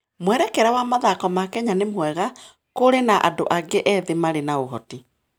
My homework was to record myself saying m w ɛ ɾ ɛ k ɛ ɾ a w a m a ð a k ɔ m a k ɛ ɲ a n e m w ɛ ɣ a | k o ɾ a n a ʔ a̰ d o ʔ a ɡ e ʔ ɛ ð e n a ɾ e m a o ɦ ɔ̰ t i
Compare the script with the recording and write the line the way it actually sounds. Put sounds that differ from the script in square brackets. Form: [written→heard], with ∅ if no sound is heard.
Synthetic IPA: m w ɛ ɾ ɛ k ɛ ɾ a w a m a ð a k ɔ m a k ɛ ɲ a n e m w ɛ ɣ a | k o ɾ [a→e] n a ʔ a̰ d o ʔ a ɡ e ʔ ɛ ð e [n→m] a ɾ e [m→n] a o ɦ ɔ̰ t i